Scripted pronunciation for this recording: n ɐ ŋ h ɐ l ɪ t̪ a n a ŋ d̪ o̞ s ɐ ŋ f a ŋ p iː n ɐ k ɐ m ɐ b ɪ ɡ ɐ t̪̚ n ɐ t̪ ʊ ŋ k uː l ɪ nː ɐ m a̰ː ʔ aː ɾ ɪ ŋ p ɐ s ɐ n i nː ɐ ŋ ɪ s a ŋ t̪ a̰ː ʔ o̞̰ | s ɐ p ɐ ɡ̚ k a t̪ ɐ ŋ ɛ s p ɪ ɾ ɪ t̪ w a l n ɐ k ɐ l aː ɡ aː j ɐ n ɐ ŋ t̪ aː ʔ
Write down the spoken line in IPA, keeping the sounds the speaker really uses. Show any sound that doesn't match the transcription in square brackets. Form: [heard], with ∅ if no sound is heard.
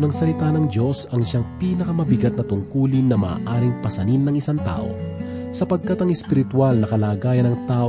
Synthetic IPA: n ɐ ŋ [s] ɐ l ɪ t̪ a n [ɐ] ŋ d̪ o̞ s ɐ ŋ [ʃ] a ŋ p iː n ɐ k ɐ m ɐ b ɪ ɡ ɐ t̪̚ n ɐ t̪ ʊ ŋ k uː l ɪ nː ɐ m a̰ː ʔ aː ɾ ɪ ŋ p ɐ s ɐ n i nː ɐ ŋ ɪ s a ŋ t̪ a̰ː ʔ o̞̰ | s ɐ p ɐ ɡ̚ k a t̪ ɐ ŋ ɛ s p ɪ ɾ ɪ t̪ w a l n ɐ k ɐ l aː ɡ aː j ɐ n ɐ ŋ t̪ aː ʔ